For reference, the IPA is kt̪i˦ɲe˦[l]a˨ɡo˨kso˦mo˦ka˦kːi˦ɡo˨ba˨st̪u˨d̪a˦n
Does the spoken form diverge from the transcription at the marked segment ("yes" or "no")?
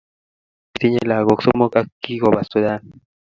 no